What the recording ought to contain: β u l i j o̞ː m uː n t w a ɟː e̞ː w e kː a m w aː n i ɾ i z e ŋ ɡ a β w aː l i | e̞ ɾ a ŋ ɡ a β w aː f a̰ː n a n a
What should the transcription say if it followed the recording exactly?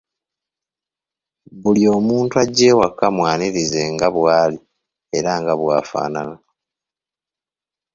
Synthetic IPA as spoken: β u l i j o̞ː m uː n t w a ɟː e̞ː w a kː a m w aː n i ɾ i z e ŋ ɡ a β w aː l i | e̞ ɾ a ŋ ɡ a β w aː f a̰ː n a n a